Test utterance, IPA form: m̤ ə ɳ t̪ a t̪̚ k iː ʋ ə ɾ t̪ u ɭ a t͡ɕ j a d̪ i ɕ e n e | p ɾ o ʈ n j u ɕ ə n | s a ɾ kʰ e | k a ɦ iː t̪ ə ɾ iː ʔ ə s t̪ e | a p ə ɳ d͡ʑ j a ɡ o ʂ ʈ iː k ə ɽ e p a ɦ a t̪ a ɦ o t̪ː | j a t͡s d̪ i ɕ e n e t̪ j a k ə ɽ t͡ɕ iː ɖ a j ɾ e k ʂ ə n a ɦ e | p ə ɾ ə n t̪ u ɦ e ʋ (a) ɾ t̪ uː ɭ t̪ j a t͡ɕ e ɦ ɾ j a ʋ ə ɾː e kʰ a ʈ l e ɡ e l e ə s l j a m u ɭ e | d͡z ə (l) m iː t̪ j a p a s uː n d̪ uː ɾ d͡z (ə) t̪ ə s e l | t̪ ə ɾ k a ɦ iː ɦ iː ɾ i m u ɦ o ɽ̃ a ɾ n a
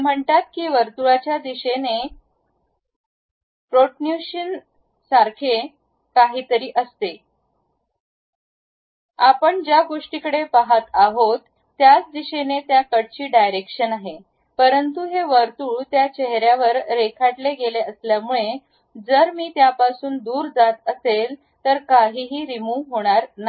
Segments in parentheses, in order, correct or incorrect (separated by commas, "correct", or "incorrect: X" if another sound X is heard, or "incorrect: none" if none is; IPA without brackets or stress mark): incorrect: ə, incorrect: ɾ, incorrect: a